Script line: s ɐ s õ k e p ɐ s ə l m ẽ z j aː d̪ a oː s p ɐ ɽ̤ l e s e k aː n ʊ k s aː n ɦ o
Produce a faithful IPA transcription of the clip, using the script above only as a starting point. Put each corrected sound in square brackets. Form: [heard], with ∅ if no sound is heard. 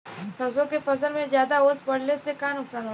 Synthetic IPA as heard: s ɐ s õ k e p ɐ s ə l m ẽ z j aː d̪ a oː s p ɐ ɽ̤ l e s e k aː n ʊ k s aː n ɦ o